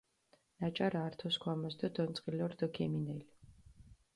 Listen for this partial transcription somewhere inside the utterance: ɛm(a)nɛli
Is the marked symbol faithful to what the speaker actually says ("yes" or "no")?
no